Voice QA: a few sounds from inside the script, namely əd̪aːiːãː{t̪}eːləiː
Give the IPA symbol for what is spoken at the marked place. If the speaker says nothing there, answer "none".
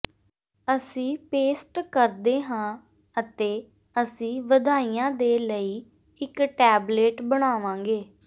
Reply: d̪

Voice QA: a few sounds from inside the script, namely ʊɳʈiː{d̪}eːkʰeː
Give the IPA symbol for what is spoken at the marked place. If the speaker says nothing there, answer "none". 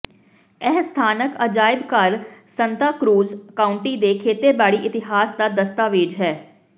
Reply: d̪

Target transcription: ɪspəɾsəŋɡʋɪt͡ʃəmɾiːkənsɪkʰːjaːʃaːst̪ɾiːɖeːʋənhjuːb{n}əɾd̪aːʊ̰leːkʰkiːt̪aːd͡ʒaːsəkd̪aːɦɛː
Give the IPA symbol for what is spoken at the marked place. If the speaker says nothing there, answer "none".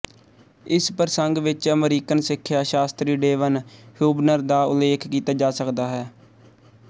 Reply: n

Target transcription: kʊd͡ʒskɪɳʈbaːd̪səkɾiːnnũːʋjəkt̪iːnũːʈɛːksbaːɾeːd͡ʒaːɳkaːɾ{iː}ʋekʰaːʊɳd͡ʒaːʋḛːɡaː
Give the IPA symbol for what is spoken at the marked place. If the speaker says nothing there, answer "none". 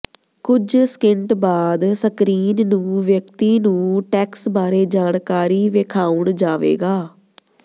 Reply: iː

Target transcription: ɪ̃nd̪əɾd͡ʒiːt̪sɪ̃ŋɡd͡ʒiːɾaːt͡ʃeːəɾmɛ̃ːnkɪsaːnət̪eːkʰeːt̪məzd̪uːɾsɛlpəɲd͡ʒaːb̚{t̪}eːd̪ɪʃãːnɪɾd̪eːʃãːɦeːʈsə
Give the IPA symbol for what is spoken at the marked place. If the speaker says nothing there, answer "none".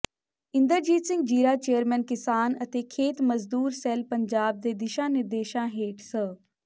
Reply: d̪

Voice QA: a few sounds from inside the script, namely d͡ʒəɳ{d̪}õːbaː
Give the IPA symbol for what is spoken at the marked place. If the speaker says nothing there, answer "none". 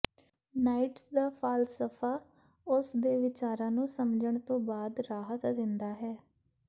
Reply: t̪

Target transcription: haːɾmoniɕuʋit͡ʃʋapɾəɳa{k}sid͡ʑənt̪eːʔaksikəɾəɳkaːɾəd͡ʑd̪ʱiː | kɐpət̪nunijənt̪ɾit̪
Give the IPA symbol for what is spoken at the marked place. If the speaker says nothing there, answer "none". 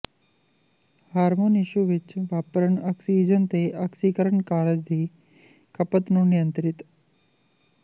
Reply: k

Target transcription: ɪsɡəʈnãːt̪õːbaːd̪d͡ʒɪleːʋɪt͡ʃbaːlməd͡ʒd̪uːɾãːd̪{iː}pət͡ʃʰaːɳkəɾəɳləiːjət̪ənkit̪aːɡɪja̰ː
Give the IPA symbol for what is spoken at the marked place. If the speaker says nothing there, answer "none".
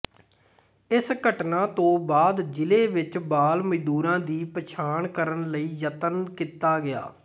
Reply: iː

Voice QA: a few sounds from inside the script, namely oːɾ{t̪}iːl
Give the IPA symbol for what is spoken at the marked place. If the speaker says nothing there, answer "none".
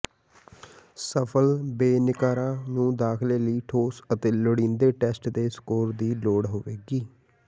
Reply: d̪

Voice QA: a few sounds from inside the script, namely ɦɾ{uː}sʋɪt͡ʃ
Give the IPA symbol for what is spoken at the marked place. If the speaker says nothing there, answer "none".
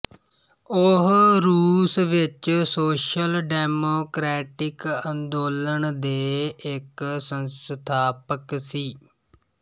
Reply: uː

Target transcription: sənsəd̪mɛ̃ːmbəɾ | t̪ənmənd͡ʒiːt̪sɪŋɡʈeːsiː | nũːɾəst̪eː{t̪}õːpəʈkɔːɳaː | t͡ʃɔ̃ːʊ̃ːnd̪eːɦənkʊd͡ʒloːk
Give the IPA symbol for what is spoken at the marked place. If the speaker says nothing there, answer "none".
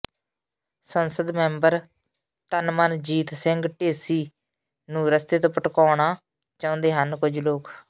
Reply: t̪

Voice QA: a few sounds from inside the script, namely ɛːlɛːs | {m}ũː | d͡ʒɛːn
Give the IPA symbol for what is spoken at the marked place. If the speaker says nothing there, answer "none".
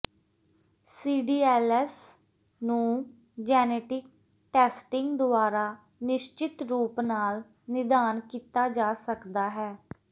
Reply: n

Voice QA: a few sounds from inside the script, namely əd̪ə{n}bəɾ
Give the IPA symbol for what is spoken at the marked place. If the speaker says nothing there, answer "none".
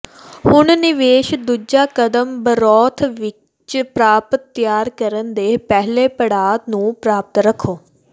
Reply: m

